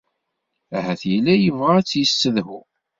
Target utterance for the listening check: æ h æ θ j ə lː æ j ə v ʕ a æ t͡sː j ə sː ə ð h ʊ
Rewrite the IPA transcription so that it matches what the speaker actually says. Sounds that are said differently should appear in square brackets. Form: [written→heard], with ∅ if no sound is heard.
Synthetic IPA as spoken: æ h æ θ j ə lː æ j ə v [ʕ→ʁ] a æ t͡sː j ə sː ə ð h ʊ